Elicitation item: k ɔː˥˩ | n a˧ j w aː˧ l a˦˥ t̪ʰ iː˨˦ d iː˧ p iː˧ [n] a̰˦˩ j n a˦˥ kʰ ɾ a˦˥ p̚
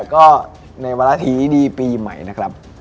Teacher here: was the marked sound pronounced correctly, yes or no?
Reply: no